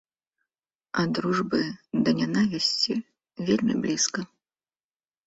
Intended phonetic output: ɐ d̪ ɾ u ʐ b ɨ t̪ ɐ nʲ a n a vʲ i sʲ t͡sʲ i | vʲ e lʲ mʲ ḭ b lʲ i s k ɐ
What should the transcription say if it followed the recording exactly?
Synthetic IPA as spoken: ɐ d̪ ɾ u ʐ b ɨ d̪ ɐ nʲ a n a vʲ i sʲ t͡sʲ i | vʲ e lʲ mʲ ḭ b lʲ i s k ɐ